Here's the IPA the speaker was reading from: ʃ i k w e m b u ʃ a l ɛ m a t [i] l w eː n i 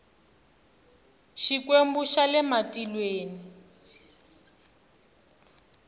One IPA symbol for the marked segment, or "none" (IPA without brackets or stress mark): i